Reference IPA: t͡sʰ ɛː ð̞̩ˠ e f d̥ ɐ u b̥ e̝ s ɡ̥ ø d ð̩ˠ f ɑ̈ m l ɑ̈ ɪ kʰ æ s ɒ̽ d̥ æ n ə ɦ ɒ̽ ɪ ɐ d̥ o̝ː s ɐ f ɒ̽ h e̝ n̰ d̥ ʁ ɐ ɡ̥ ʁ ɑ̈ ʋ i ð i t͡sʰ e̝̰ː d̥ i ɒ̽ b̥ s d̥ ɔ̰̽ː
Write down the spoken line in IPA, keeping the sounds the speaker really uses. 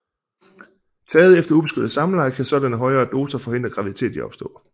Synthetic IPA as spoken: t͡sʰ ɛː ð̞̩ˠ e f d̥ ɐ u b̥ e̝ s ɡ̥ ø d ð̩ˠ s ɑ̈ m l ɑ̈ ɪ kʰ æ s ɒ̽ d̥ æ n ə ɦ ɒ̽ ɪ ɐː d̥ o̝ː s ɐ f ɒ̽ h e̝ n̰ d̥ ʁ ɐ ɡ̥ ʁ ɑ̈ ʋ i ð i t͡sʰ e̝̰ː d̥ i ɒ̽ b̥ s d̥ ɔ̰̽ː